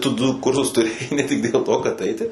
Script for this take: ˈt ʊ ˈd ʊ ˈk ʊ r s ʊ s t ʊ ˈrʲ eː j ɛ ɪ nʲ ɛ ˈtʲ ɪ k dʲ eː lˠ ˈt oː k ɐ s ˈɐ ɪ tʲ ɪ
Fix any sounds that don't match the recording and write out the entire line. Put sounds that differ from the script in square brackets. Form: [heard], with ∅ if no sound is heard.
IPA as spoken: ˈt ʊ ˈd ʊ ˈk ʊ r s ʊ s t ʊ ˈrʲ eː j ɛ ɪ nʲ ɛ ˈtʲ ɪ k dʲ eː lˠ ˈt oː k ɐ [t] ˈɐ ɪ tʲ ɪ

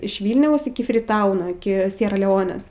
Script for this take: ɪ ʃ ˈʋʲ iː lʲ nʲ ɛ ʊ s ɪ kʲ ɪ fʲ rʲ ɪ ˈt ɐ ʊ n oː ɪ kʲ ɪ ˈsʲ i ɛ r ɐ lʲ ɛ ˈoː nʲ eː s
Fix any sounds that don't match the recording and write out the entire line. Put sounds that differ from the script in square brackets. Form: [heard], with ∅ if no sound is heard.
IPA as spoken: ɪ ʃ ˈʋʲ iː lʲ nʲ ɛ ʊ s ɪ kʲ ɪ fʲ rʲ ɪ ˈt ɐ ʊ n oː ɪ kʲ ɪ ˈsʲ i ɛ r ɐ lʲ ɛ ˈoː nʲ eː s

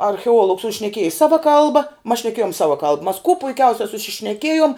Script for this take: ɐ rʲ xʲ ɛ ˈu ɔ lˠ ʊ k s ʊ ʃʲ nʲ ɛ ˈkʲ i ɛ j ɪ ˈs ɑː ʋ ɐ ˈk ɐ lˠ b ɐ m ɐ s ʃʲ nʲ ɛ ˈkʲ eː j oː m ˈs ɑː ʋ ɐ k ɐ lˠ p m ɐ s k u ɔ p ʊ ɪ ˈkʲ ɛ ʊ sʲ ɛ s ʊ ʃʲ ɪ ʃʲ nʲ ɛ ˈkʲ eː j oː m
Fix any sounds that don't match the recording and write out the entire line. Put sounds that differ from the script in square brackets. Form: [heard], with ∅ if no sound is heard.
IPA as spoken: ɐ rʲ xʲ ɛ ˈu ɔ lˠ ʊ k s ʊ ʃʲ nʲ ɛ ˈkʲ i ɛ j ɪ ˈs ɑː ʋ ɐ ˈk ɐ lˠ b ɐ m ɐ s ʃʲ nʲ ɛ ˈkʲ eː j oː m ˈs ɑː ʋ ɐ k ɐ lˠ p m ɐ s k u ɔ p ʊ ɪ ˈkʲ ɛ ʊ sʲ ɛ s ʊ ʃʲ ɪ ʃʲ nʲ ɛ ˈkʲ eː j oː m

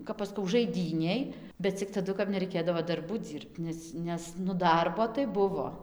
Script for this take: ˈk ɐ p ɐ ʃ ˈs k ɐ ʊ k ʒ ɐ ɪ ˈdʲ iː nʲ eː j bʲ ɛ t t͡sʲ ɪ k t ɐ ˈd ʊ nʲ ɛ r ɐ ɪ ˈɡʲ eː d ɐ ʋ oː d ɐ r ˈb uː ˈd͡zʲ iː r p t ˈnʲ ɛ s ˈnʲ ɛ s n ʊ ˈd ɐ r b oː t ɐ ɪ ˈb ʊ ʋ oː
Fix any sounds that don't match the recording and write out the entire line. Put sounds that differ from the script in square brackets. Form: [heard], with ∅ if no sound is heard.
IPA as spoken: ˈk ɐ p ɐ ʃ ˈs k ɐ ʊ [∅] ʒ ɐ ɪ ˈdʲ iː nʲ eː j bʲ ɛ t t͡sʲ ɪ k t ɐ ˈd ʊ nʲ ɛ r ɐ ɪ [ˈkʲ] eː d ɐ ʋ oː d ɐ r ˈb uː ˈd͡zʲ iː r p t ˈnʲ ɛ s ˈnʲ ɛ s n ʊ ˈd ɐ r b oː t ɐ ɪ ˈb ʊ ʋ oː

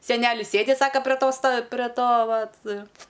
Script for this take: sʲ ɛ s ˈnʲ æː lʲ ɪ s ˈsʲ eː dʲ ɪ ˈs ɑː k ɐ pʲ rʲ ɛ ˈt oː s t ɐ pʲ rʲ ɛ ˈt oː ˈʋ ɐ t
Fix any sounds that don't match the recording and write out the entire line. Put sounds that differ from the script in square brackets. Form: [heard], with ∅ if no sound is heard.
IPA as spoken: sʲ ɛ [∅] ˈnʲ æː lʲ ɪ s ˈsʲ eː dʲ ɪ ˈs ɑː k ɐ pʲ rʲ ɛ ˈt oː s t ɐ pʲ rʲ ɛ ˈt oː ˈʋ ɐ t

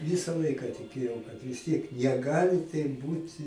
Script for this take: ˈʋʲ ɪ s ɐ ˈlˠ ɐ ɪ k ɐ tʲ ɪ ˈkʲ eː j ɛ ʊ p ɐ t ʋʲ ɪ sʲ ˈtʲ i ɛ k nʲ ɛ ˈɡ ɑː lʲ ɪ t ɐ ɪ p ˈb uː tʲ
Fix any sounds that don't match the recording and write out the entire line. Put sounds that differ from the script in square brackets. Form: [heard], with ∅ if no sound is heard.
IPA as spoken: ˈʋʲ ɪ s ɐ ˈlˠ ɐ ɪ k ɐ tʲ ɪ ˈkʲ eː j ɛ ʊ [k] ɐ t ʋʲ ɪ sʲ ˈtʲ i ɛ k nʲ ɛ ˈɡ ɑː lʲ ɪ t ɐ ɪ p ˈb uː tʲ

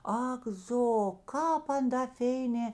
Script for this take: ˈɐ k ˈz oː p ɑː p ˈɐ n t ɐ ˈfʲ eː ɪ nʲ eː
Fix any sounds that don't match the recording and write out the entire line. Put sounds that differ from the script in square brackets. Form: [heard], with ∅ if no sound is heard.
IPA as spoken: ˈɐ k ˈz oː [k] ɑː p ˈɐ n [d] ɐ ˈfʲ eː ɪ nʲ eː

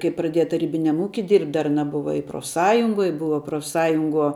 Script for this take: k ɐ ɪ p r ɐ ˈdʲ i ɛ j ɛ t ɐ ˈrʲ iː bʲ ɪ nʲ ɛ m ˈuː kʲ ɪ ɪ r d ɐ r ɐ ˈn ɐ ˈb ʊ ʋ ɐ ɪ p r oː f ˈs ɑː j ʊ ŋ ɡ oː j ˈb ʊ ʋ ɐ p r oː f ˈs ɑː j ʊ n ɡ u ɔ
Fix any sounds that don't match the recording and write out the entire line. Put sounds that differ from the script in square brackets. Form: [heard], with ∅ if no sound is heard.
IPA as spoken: k ɐ ɪ p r ɐ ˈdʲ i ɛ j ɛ t ɐ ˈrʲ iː bʲ ɪ nʲ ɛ m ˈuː kʲ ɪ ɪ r d ɐ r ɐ ˈn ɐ ˈb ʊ ʋ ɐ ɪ p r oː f ˈs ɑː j ʊ ŋ ɡ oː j ˈb ʊ ʋ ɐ p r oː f ˈs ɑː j ʊ [ŋ] ɡ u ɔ

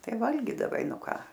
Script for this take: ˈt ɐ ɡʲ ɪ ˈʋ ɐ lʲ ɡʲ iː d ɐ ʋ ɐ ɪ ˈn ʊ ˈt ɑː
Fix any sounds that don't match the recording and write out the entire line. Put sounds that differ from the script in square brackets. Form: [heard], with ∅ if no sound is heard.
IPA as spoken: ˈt ɐ [∅] ɪ ˈʋ ɐ lʲ ɡʲ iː d ɐ ʋ ɐ ɪ ˈn ʊ [ˈk] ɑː

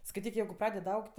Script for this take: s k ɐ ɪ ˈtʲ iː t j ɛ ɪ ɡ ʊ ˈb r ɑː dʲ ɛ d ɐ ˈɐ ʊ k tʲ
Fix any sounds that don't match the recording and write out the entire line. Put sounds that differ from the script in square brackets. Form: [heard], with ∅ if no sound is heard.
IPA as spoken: s k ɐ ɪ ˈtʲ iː [k] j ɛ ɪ ɡ ʊ [ˈp] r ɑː dʲ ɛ d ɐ ˈɐ ʊ k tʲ

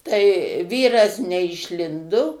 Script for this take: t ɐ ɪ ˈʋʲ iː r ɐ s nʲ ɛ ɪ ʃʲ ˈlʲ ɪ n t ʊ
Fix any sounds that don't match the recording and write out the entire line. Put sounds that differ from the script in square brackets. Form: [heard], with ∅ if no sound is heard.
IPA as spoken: t ɐ ɪ ˈʋʲ iː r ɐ s nʲ ɛ ɪ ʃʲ ˈlʲ ɪ n [d] ʊ

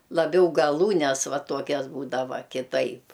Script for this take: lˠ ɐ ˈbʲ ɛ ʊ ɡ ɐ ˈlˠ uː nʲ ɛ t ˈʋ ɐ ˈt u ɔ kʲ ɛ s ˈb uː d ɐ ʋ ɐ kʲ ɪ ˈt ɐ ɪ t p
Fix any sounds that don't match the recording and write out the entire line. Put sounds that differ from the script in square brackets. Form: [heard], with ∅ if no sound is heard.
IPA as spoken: lˠ ɐ ˈbʲ ɛ ʊ ɡ ɐ ˈlˠ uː nʲ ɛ [s] ˈʋ ɐ ˈt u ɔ kʲ ɛ s ˈb uː d ɐ ʋ ɐ kʲ ɪ ˈt ɐ ɪ [∅] p

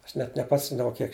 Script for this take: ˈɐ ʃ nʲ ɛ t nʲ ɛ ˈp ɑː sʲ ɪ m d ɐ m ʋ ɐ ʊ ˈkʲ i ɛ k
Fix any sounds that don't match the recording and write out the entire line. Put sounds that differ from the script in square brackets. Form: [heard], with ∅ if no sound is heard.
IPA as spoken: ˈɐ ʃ nʲ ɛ t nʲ ɛ ˈp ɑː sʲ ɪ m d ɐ [∅] ʋ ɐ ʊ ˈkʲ i ɛ k

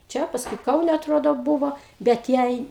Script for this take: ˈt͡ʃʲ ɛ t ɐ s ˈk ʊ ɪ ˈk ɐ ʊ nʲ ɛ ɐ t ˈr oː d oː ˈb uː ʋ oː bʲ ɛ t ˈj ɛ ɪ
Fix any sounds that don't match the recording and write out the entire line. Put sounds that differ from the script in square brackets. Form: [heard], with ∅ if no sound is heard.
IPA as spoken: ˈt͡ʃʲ ɛ [p] ɐ s ˈk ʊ ɪ ˈk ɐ ʊ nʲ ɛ ɐ t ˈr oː d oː ˈb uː ʋ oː bʲ ɛ t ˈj ɛ ɪ

